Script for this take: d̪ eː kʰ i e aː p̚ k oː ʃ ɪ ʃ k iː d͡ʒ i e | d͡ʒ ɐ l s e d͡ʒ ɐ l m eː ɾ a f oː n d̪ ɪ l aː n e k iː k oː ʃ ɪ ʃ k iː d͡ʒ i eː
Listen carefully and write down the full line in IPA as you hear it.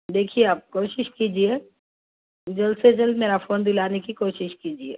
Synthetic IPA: d̪ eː kʰ i e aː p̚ k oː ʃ ɪ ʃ k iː d͡ʒ i e | d͡ʒ ɐ l s e d͡ʒ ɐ l m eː ɾ a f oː n d̪ ɪ l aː n e k i k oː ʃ ɪ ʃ k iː d͡ʒ i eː